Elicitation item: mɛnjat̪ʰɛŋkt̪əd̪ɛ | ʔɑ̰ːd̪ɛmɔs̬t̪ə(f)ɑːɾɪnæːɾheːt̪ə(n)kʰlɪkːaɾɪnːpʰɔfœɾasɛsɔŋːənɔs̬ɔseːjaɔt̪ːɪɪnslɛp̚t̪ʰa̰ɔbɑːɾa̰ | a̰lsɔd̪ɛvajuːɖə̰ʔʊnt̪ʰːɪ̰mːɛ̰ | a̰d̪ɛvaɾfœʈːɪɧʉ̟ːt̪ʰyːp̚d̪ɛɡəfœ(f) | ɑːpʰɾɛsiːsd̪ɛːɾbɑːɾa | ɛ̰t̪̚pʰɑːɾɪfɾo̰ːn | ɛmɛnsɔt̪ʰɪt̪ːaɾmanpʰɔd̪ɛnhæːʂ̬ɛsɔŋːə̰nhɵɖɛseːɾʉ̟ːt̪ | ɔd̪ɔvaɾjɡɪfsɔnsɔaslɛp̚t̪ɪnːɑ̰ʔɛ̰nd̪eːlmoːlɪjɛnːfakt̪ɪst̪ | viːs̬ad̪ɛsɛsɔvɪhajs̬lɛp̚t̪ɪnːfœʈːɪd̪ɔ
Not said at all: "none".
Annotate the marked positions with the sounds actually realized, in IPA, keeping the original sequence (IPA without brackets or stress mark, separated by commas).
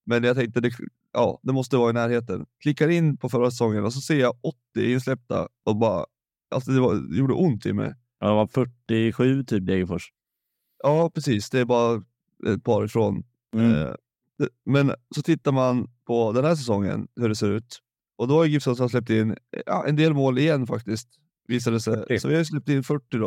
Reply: v, n, ʂ